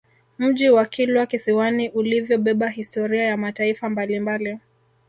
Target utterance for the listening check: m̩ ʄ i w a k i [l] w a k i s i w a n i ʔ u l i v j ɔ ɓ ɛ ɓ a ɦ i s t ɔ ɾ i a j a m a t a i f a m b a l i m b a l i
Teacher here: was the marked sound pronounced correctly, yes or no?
yes